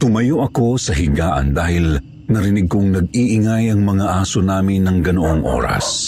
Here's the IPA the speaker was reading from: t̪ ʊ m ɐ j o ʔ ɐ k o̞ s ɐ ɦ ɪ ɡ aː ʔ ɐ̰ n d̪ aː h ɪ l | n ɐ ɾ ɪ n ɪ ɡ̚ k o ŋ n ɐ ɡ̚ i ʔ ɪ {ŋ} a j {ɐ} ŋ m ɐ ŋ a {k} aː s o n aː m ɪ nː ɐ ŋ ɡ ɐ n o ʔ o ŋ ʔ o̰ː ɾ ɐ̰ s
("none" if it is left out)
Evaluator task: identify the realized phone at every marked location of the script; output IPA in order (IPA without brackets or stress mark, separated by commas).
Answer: ŋ, ɐ, ʔ